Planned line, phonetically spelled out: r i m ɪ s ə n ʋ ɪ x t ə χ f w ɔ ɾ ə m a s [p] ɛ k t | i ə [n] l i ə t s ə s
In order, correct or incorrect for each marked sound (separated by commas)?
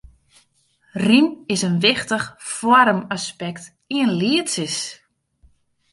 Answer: correct, correct